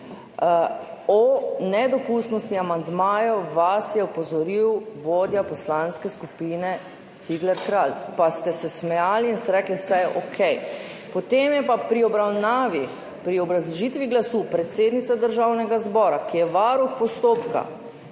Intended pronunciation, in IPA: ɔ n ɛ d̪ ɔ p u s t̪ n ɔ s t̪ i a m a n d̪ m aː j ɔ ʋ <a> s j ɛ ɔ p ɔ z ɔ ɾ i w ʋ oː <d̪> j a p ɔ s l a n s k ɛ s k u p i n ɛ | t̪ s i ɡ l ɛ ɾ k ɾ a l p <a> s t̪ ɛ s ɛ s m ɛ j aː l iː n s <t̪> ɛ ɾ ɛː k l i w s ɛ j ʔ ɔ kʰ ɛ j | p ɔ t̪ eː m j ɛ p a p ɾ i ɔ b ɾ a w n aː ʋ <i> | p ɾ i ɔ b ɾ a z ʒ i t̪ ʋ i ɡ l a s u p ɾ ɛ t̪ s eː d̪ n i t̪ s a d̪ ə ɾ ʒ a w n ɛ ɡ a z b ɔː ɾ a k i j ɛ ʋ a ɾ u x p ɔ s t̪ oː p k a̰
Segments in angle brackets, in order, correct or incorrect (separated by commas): correct, correct, correct, correct, correct